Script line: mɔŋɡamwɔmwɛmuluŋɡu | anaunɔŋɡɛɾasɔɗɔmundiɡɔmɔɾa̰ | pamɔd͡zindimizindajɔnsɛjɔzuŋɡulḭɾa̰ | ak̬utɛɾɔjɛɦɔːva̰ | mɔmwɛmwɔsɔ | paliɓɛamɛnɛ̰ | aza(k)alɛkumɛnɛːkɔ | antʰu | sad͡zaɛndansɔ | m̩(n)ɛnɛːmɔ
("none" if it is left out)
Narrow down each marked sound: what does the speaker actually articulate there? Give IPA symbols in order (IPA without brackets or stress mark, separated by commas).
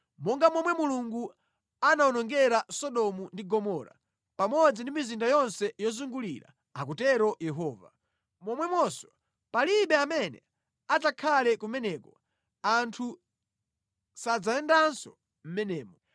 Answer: kʰ, m